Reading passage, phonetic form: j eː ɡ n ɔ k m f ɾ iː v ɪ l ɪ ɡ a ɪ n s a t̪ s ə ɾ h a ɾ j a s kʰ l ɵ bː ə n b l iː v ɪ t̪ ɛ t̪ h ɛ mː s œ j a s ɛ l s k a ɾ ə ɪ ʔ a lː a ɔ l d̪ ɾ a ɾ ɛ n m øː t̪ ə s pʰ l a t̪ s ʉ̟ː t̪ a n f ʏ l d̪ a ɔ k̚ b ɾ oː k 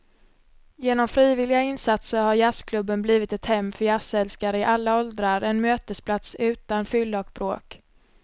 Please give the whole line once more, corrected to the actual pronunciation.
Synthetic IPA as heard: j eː n ɔ m f ɾ iː v ɪ l ɪ ɡ a ɪ n s a t̪ s ə ɾ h a ɾ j a s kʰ l ɵ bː ə n b l iː v ɪ t̪ ɛ t̪ h ɛ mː f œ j a s ɛ l s k a ɾ ə ɪ ʔ a lː a ɔ l d̪ ɾ a ɾ ɛ n m øː t̪ ə s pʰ l a t̪ s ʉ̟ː t̪ a n f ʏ l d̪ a ɔ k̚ b ɾ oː k